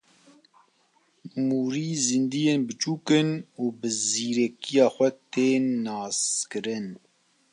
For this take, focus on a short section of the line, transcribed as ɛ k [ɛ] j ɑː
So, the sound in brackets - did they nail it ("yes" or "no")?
no